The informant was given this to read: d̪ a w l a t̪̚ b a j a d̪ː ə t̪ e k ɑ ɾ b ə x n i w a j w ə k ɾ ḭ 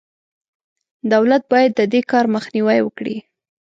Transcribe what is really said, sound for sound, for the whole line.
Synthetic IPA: d̪ a w l a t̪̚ b ɑ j a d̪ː ə d̪ e k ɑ ɾ m ə x n i w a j w ə k ɽ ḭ